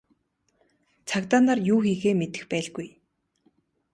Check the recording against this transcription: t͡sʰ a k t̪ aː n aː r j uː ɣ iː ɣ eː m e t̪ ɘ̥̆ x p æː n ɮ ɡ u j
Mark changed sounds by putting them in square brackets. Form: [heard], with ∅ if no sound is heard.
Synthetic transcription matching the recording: t͡sʰ a k t̪ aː n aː r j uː [x] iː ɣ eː m e t̪ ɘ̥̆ x p æː [∅] ɮ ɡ u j